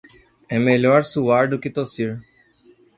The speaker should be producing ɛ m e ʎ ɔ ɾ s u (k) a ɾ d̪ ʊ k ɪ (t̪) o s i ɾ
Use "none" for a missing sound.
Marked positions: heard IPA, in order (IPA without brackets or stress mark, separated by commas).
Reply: none, t̪